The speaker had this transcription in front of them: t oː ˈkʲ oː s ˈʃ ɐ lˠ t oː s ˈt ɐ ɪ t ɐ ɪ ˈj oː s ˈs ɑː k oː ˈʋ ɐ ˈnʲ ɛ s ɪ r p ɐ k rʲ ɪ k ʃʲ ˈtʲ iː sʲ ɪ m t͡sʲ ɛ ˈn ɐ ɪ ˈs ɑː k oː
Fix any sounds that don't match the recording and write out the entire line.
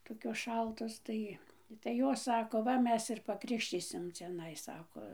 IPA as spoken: t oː ˈkʲ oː s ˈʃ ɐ lˠ t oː s ˈt ɐ ɪ t ɐ ɪ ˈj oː s ˈs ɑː k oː ˈʋ ɐ ˈmʲ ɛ s ɪ r p ɐ k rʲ ɪ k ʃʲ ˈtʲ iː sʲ ɪ m t͡sʲ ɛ ˈn ɐ ɪ ˈs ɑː k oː